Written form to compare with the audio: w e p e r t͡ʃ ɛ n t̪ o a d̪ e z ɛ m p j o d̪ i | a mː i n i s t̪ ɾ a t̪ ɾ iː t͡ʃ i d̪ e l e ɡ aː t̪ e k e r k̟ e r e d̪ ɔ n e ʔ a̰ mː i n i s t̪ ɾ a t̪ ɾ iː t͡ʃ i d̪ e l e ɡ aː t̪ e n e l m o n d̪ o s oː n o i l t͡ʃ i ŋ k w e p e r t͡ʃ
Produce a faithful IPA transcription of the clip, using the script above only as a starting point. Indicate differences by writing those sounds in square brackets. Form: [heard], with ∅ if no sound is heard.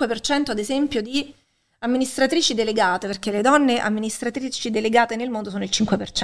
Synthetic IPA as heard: w e p e r t͡ʃ ɛ n t̪ o a d̪ e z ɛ m p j o d̪ i | a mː i n i s t̪ ɾ a t̪ ɾ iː t͡ʃ i d̪ e l e ɡ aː t̪ e [p] e r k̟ e [l] e d̪ ɔ [nː] e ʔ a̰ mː i n i s t̪ ɾ a t̪ ɾ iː t͡ʃ i d̪ e l e ɡ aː t̪ e n e l m o n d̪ o s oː n o i l t͡ʃ i ŋ k w e p e r t͡ʃ